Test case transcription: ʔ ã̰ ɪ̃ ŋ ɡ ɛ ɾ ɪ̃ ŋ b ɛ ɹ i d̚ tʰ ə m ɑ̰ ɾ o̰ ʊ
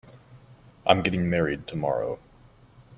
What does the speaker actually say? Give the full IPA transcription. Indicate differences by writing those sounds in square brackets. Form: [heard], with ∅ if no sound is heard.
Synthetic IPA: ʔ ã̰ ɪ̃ [m] ɡ ɛ ɾ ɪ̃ ŋ [m] ɛ ɹ i d̚ tʰ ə m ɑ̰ [ɹ] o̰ ʊ